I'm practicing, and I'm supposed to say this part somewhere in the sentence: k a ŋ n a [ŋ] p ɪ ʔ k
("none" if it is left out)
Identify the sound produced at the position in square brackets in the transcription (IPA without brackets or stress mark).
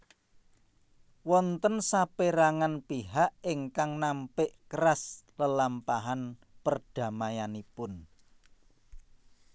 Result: m